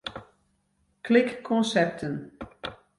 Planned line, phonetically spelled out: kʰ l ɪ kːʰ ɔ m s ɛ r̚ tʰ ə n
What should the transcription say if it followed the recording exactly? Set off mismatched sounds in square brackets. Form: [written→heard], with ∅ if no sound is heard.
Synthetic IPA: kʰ l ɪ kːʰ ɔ [m→n] s ɛ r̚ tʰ ə n